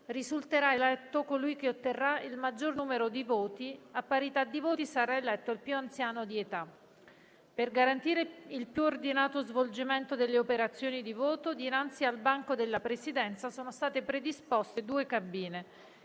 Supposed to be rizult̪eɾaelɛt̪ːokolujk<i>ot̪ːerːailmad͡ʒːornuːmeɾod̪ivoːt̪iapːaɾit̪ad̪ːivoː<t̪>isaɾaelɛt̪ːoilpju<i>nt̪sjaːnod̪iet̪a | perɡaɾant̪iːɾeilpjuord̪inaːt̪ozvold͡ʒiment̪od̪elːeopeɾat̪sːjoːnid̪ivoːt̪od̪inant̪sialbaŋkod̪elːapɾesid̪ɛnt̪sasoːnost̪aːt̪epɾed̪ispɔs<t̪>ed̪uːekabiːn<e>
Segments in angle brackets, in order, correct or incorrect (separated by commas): incorrect, correct, incorrect, correct, correct